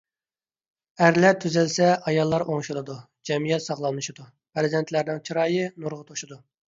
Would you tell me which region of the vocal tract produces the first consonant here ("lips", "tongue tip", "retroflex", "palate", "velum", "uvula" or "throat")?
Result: tongue tip